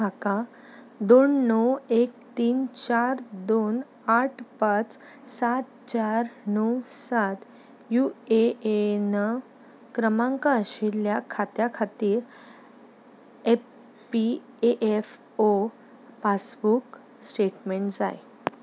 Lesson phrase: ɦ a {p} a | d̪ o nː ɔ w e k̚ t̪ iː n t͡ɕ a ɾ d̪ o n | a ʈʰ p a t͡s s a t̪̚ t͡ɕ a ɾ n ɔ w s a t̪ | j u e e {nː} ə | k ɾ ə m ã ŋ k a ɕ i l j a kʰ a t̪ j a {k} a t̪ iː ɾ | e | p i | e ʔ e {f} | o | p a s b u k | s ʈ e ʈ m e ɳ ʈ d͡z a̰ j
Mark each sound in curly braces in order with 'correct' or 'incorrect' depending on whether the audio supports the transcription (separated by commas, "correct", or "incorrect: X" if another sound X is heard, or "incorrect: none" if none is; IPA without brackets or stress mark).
incorrect: k, incorrect: n, incorrect: kʰ, correct